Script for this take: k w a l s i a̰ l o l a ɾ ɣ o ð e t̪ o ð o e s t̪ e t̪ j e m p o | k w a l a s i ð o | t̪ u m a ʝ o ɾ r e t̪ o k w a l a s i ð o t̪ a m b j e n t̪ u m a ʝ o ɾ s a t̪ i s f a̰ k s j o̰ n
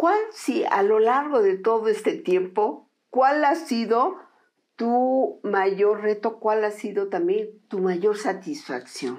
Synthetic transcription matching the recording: k w a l s i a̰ l o l a ɾ ɣ o ð e t̪ o ð o e s t̪ e t̪ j e m p o | k w a l a s i ð o | t̪ u m a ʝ o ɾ r e t̪ o k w a l a s i ð o t̪ a m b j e n t̪ u m a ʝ o ɾ s a t̪ i s f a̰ k s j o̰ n